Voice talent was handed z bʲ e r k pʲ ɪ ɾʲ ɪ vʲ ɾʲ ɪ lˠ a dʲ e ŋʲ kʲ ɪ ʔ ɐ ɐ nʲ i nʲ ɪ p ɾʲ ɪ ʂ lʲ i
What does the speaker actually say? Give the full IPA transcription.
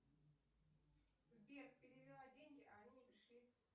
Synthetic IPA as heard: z bʲ e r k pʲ ɪ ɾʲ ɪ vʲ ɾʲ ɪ lˠ a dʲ e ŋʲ ɡʲ ɪ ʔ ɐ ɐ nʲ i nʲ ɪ p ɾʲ ɪ ʂ lʲ i